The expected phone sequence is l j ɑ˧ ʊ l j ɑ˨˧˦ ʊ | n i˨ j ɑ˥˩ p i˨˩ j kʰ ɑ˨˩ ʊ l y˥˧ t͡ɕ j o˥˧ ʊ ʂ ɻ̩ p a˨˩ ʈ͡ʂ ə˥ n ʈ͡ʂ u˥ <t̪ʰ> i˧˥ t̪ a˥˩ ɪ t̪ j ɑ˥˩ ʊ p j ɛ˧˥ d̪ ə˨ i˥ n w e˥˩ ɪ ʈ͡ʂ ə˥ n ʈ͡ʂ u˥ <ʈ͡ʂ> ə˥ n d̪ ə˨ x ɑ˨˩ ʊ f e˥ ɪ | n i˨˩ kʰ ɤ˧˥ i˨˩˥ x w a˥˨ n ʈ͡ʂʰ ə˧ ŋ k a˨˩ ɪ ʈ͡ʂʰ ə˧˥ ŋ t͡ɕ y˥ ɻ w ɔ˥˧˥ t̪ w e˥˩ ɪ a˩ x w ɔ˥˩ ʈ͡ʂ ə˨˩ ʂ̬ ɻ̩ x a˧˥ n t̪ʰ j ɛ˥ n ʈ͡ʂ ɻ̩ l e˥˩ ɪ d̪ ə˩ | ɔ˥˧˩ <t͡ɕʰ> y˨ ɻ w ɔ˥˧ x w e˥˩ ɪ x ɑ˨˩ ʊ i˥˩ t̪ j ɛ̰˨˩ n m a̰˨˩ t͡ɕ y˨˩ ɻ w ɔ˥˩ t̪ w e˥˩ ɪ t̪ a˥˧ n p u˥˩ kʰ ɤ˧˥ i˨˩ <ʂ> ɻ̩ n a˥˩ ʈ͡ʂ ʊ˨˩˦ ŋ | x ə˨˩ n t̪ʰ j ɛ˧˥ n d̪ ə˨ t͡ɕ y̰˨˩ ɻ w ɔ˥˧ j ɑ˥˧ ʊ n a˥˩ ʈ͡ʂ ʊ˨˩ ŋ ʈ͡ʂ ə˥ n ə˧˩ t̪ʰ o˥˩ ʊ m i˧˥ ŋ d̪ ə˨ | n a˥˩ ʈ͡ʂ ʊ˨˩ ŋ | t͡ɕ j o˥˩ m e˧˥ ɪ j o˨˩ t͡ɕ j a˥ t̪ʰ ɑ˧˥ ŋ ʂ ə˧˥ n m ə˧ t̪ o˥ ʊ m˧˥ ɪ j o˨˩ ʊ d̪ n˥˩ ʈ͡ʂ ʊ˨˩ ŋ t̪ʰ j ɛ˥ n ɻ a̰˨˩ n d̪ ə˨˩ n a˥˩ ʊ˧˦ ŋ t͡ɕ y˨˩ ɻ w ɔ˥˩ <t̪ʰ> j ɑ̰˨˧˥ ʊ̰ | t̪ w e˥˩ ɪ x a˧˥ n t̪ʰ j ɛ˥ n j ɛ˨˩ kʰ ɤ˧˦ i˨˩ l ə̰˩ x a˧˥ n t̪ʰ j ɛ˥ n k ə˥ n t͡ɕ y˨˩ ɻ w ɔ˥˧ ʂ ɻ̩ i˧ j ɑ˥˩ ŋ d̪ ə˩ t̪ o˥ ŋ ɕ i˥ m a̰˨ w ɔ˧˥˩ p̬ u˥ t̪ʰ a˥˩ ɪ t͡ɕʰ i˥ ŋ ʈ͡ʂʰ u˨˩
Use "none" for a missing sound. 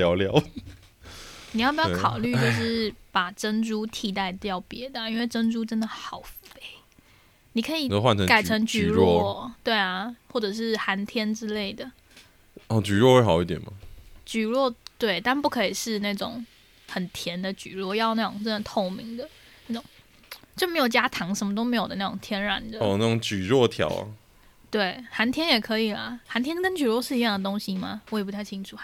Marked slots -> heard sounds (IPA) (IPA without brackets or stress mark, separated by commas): t̪ʰ, ʈ͡ʂ, t͡ɕ, ʂ, t̪ʰ